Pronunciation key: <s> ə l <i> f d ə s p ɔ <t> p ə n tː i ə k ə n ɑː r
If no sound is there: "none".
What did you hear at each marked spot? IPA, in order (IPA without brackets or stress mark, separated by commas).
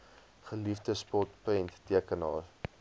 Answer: χ, i, t